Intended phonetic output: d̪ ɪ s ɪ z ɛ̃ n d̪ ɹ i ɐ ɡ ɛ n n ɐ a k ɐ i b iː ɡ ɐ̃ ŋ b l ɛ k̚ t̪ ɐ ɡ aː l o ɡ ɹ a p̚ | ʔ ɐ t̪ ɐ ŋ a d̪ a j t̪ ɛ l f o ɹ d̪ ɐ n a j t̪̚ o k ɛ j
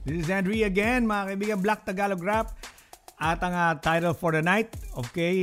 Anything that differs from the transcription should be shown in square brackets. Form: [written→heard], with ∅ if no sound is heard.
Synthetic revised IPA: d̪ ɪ s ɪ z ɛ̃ n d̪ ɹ i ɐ ɡ ɛ n [n→m] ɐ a k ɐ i b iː ɡ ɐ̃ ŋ b l [ɛ→a] k̚ t̪ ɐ ɡ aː l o ɡ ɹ a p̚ | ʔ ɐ t̪ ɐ ŋ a [d̪→t̪] a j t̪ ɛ l f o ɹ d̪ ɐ n a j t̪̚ o k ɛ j